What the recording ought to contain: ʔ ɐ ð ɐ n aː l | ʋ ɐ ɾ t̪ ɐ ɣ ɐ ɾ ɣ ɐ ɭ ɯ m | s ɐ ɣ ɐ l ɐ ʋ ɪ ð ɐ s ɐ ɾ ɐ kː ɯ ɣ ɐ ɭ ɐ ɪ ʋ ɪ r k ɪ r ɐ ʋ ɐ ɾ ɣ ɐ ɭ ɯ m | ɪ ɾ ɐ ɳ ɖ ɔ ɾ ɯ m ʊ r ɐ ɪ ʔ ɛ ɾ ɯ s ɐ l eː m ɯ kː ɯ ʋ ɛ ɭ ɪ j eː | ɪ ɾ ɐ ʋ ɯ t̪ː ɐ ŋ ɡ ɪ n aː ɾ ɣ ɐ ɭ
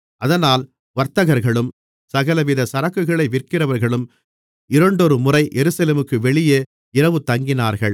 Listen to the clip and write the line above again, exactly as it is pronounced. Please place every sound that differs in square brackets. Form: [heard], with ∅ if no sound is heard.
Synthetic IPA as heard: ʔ ɐ ð ɐ n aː l | ʋ ɐ ɾ t̪ ɐ ɣ ɐ ɾ ɣ ɐ ɭ ɯ m | s ɐ ɣ ɐ l ɐ ʋ ɪ ð ɐ s ɐ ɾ ɐ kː ɯ ɣ ɐ ɭ ɐ ɪ ʋ ɪ r k ɪ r ɐ ʋ ɐ ɾ ɣ ɐ ɭ ɯ m | ɪ ɾ ɐ ɳ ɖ ɔ ɾ ɯ m ʊ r ɐ ɪ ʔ ɛ ɾ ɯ s ɐ l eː m ɯ kː ɯ ʋ ɛ ɭ ɪ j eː | ɪ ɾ ɐ ʋ ɯ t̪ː ɐ ŋ ɡ ɪ n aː ɾ ɣ ɐ ɭ

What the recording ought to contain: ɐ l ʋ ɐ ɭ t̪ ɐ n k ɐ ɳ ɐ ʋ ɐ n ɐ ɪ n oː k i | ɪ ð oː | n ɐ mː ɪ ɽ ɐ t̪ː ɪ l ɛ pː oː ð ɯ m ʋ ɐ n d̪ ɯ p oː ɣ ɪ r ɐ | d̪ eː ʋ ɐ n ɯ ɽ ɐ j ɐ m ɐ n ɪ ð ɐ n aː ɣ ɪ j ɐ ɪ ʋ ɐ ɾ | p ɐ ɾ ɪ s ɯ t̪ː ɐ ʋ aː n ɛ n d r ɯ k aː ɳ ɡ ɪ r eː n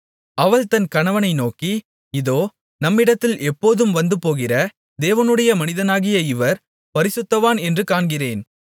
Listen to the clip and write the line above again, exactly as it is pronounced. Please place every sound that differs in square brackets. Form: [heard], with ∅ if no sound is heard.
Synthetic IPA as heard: ɐ [∅] ʋ ɐ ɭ t̪ ɐ n k ɐ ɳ ɐ ʋ ɐ n ɐ ɪ n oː k i | ɪ ð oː | n ɐ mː ɪ ɽ ɐ t̪ː ɪ l ɛ pː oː ð ɯ m ʋ ɐ n d̪ ɯ p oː ɣ ɪ r ɐ | d̪ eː ʋ ɐ n ɯ ɽ ɐ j ɐ m ɐ n ɪ ð ɐ n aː ɣ ɪ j ɐ ɪ ʋ ɐ ɾ | p ɐ ɾ ɪ s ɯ t̪ː ɐ ʋ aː n ɛ n d r ɯ k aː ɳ ɡ ɪ r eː n

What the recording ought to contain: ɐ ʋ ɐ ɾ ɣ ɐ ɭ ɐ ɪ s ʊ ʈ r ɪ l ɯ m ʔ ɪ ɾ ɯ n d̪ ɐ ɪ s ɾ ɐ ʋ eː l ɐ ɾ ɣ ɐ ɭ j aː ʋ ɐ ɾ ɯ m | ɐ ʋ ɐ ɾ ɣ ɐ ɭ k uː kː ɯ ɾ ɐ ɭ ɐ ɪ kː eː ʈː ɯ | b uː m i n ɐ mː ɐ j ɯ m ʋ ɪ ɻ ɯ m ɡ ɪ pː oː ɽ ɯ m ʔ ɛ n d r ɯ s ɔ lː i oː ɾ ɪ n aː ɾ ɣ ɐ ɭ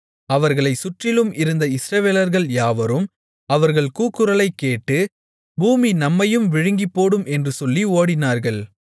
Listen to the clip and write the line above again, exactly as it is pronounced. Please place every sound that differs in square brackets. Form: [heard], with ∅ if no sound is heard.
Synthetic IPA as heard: ɐ ʋ ɐ ɾ ɣ ɐ ɭ ɐ ɪ s ʊ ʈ r ɪ l ɯ m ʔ ɪ ɾ ɯ n d̪ ɐ ɪ s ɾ ɐ ʋ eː l ɐ ɾ ɣ ɐ ɭ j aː ʋ ɐ ɾ ɯ m | ɐ ʋ ɐ ɾ ɣ ɐ ɭ k uː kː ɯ ɾ ɐ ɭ ɐ ɪ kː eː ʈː ɯ | b uː m i n ɐ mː ɐ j ɯ m ʋ ɪ ɻ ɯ [ŋ] ɡ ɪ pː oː ɽ ɯ m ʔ ɛ n d r ɯ s ɔ lː i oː [ɽ] ɪ n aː ɾ ɣ ɐ ɭ

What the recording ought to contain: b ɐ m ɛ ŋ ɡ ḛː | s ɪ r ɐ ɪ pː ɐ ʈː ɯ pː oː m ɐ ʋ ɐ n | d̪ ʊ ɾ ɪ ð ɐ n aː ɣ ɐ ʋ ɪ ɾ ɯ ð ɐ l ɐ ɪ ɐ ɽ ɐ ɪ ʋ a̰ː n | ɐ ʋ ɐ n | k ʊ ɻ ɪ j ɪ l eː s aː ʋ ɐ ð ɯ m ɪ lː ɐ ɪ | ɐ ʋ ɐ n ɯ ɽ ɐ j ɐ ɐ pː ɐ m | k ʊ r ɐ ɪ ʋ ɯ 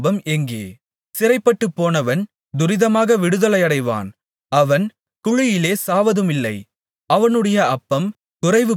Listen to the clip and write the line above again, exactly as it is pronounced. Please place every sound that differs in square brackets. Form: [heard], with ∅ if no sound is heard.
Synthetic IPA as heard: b ɐ m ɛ ŋ ɡ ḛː | s ɪ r ɐ ɪ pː ɐ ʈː ɯ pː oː [n] ɐ ʋ ɐ n | d̪ ʊ ɾ ɪ ð ɐ [m] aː ɣ ɐ ʋ ɪ [ɽ] ɯ ð ɐ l ɐ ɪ ɐ ɽ ɐ ɪ ʋ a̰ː n | ɐ ʋ ɐ n | k ʊ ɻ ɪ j ɪ l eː s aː ʋ ɐ ð ɯ m ɪ lː ɐ ɪ | ɐ ʋ ɐ n ɯ ɽ ɐ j ɐ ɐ pː ɐ m | k ʊ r ɐ ɪ ʋ ɯ

